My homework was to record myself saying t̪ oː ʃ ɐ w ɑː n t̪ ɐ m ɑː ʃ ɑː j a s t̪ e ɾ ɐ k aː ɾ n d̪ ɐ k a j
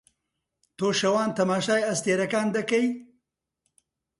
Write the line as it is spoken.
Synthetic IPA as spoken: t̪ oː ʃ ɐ w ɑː n t̪ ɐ m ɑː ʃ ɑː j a s t̪ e ɾ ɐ k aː n d̪ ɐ k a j